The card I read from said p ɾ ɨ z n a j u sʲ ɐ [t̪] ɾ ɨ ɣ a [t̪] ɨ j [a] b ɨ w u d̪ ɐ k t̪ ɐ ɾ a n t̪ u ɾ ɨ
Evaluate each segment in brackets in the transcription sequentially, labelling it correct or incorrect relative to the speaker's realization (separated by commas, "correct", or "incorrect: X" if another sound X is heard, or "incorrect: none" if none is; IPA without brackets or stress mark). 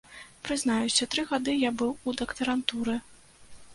correct, incorrect: d̪, correct